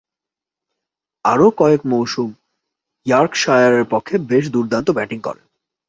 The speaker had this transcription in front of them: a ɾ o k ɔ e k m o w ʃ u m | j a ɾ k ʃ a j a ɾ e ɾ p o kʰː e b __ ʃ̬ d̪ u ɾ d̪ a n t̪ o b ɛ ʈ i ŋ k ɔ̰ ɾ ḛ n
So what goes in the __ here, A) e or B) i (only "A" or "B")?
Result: A